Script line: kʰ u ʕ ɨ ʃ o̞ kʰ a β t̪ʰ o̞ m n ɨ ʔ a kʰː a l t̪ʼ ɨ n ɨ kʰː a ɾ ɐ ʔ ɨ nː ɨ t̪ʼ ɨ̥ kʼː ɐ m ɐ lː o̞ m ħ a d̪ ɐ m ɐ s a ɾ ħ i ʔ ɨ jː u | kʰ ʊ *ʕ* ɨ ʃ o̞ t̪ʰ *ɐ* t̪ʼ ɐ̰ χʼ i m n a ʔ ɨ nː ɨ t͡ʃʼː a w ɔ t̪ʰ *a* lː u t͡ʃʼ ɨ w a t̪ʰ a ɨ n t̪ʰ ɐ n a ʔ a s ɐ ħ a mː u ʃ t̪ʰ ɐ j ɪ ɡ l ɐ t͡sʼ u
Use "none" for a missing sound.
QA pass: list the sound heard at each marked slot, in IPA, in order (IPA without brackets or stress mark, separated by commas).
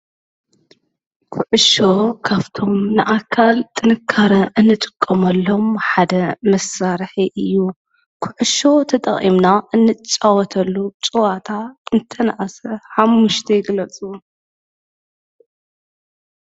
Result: ʕ, ɐ, ɐ